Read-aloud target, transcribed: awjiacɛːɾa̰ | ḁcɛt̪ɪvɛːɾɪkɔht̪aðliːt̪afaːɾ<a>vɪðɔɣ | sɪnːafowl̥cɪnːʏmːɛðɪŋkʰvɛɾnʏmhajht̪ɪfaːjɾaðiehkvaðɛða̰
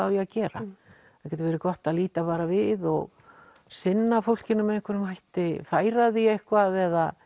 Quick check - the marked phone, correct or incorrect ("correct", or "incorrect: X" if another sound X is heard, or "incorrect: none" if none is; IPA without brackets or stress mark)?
correct